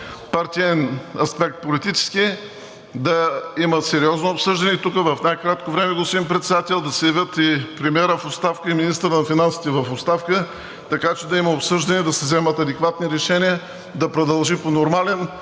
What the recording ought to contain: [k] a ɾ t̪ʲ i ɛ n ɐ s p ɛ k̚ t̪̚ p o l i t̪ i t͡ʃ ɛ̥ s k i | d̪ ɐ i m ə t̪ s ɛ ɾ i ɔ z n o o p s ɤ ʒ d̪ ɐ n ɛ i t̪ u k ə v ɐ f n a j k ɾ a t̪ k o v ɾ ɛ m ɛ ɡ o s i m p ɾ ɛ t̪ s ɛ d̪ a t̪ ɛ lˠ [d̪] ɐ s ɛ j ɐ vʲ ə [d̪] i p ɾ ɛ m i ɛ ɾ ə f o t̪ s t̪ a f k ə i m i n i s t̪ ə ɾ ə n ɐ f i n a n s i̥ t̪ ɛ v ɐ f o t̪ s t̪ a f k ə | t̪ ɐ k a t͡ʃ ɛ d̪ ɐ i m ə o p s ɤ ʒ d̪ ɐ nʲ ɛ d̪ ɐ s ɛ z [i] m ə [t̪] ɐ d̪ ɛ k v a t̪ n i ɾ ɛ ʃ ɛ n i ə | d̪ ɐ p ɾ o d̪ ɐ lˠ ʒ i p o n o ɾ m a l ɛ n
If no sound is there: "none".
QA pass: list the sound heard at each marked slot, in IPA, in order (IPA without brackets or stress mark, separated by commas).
p, d̪, t̪, ɛ, t̪